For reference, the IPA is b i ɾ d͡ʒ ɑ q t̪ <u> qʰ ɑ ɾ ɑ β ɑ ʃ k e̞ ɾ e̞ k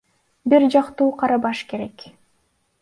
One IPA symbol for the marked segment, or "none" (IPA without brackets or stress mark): uː